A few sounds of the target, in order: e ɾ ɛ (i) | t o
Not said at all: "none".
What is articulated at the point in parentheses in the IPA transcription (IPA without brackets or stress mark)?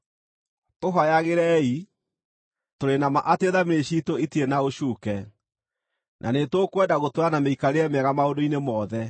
i